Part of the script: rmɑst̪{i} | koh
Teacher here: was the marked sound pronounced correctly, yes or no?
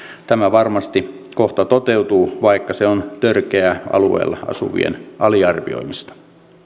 yes